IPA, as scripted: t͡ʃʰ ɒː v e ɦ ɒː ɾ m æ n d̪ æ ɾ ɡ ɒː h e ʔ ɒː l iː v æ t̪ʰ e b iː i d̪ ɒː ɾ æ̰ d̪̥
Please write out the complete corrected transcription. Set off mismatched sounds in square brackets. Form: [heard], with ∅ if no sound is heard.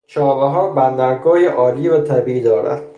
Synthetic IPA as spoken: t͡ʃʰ ɒː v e ɦ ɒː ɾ [b] æ n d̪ æ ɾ ɡ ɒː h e ʔ ɒː l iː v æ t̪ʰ [æ] b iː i d̪ ɒː ɾ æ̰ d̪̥